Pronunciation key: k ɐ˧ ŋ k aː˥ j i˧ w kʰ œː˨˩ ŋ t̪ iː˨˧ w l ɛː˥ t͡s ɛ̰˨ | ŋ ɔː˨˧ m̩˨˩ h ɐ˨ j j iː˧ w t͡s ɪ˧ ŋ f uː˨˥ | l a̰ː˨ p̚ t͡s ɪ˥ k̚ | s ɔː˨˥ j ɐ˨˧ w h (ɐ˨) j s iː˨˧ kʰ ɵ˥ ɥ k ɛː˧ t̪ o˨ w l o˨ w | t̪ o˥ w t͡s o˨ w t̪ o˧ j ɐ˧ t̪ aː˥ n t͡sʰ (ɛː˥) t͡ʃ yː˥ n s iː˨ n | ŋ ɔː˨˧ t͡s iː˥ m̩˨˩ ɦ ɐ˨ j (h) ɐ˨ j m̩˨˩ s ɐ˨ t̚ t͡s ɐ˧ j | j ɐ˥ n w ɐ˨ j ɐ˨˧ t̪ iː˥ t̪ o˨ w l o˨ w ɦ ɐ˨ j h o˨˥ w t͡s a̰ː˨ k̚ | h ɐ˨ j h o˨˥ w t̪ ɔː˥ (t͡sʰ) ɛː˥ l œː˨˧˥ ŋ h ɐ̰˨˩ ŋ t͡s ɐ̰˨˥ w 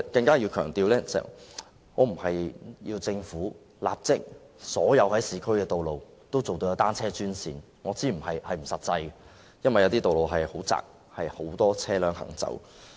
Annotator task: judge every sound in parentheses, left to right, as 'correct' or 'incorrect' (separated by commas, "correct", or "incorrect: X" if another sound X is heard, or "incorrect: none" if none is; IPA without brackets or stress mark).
incorrect: ɐ˨˥, correct, correct, correct